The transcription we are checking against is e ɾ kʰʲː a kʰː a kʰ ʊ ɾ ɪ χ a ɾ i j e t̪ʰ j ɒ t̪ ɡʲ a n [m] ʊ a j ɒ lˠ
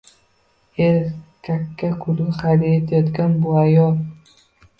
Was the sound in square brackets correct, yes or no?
no